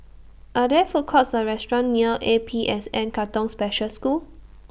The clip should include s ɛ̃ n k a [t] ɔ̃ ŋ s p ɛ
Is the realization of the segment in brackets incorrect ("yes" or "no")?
no